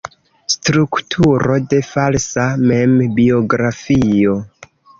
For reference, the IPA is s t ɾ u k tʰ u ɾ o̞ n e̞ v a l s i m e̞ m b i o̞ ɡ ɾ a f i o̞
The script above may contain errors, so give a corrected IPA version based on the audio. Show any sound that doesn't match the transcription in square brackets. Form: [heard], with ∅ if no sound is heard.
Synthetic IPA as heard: s t ɾ u k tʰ u ɾ o̞ [d] e̞ [f] a l s [a] m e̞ m b i o̞ ɡ ɾ a f i o̞